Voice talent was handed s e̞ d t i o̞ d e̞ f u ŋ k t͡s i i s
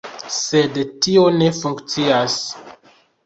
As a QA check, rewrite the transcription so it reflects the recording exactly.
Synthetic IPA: s e̞ d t i o̞ n e̞ f u ŋ k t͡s i a s